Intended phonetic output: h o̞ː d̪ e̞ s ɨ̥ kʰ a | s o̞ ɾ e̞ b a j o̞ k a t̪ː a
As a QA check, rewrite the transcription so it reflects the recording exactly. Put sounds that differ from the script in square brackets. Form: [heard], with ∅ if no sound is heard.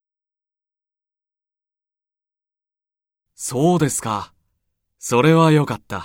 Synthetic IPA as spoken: [s] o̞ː d̪ e̞ s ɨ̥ [k] a | s o̞ ɾ e̞ [β] a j o̞ k a t̪ː a